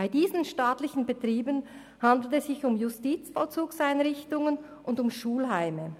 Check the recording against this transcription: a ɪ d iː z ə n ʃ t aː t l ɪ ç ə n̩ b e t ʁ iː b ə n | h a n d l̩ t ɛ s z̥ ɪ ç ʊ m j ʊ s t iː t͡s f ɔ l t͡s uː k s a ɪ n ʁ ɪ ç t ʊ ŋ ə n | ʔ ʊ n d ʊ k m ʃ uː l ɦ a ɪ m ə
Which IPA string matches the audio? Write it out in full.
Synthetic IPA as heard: a ɪ d iː z ə n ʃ t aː t l ɪ ç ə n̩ b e t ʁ iː b ə n | h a n d l̩ t ɛ s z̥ ɪ ç ʊ m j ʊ s t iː t͡s f ɔ l t͡s uː k s a ɪ n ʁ ɪ ç t ʊ ŋ ə n | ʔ ʊ n d ʊ m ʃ uː l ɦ a ɪ m ə